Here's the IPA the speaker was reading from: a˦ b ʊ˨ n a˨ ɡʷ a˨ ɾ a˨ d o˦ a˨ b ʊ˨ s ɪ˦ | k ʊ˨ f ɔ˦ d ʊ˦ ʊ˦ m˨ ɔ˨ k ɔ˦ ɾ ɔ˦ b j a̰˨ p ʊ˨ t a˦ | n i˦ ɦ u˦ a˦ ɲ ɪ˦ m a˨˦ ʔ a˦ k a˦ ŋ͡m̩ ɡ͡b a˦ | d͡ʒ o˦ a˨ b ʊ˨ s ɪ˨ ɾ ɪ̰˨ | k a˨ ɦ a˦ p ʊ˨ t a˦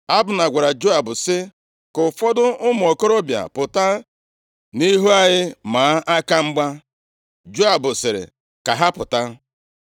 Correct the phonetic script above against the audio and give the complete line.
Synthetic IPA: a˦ b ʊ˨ n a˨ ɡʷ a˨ ɾ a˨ d͡ʒ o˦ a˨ b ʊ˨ s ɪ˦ | k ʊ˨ f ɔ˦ d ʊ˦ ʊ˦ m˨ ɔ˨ k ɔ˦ ɾ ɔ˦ b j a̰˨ p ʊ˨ t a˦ | n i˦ ɦ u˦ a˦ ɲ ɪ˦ m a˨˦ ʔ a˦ k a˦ ŋ͡m̩ ɡ͡b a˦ | d͡ʒ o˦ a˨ b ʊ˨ s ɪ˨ ɾ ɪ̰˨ | k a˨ ɦ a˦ p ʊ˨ t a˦

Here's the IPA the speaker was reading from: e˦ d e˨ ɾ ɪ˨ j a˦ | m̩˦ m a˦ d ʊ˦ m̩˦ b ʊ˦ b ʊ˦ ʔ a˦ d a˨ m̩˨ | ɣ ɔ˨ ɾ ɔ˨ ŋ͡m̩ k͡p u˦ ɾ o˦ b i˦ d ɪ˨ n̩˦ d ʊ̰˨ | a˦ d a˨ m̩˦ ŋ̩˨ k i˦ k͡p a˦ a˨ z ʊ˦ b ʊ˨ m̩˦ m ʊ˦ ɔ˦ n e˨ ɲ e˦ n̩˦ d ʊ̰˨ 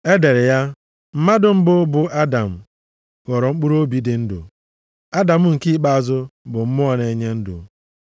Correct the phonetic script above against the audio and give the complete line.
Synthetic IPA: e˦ d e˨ ɾ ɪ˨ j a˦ | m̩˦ m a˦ d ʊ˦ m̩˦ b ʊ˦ b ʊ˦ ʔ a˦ d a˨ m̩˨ | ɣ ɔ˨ ɾ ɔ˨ ŋ͡m̩ k͡p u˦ ɾ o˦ b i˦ d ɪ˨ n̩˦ d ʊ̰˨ | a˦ d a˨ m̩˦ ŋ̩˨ k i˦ k͡p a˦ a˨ z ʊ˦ b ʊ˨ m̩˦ m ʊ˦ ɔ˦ n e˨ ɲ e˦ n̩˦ d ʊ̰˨

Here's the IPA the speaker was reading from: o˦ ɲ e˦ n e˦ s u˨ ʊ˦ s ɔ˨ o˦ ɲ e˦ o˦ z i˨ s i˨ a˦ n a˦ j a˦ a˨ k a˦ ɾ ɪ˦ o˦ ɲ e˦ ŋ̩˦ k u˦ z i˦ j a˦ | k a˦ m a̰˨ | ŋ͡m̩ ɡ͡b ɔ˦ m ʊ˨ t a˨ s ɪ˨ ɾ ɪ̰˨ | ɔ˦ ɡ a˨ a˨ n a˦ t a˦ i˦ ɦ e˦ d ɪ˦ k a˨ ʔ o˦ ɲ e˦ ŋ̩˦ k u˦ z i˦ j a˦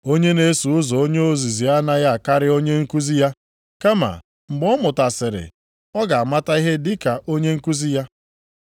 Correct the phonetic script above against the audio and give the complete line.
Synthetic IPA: o˦ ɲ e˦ n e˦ s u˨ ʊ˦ z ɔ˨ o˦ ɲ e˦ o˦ z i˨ z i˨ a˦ n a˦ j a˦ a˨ k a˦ ɾ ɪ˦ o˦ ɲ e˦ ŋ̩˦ k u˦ z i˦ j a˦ | k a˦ m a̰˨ | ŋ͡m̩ ɡ͡b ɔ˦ m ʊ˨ t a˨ s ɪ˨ ɾ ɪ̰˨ | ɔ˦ ɡ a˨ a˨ m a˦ t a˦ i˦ ɦ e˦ d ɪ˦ k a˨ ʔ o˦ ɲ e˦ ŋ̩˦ k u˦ z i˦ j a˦

